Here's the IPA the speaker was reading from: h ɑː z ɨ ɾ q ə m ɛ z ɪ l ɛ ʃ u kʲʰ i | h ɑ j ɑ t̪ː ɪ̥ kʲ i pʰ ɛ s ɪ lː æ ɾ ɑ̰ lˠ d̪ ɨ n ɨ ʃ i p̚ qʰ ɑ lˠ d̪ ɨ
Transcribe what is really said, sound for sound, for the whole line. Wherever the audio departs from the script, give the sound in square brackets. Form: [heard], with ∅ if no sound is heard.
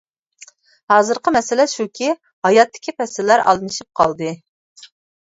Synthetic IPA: h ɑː z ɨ ɾ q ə m ɛ [s] ɪ l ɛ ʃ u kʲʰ i | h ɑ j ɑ t̪ː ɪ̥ kʲ i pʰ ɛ s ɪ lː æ ɾ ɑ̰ lˠ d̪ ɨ n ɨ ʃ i p̚ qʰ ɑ lˠ d̪ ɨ